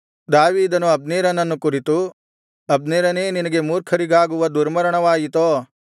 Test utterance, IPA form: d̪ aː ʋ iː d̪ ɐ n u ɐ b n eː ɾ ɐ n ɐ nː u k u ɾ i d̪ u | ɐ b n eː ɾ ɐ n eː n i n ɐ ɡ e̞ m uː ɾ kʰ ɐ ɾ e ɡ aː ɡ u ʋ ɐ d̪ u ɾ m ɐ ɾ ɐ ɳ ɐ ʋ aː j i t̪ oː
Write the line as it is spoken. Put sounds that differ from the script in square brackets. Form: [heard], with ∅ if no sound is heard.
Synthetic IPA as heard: d̪ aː ʋ iː d̪ ɐ n u ɐ b n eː ɾ ɐ n ɐ nː u k u ɾ i [t̪] u | ɐ b n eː ɾ ɐ n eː n i n ɐ ɡ e̞ m uː ɾ kʰ ɐ ɾ [i] ɡ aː ɡ u ʋ ɐ d̪ u ɾ m ɐ ɾ ɐ ɳ ɐ ʋ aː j i t̪ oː